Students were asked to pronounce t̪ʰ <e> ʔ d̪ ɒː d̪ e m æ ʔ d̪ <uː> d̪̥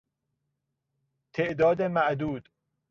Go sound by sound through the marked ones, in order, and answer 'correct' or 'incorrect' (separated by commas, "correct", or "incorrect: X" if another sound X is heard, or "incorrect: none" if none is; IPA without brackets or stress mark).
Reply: correct, correct